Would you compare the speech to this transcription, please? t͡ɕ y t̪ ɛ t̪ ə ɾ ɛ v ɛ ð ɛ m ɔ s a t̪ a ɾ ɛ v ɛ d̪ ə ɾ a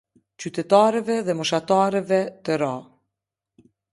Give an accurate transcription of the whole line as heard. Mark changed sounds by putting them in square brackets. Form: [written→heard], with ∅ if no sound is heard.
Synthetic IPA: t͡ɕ y t̪ ɛ t̪ [ə→a] ɾ ɛ v ɛ ð ɛ m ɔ [s→ʃ] a t̪ a ɾ ɛ v ɛ [d̪→t̪] ə ɾ a